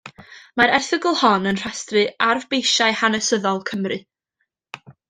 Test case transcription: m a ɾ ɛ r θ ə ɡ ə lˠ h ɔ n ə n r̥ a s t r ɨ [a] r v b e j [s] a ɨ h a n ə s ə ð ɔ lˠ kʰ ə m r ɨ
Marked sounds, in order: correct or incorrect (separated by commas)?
correct, incorrect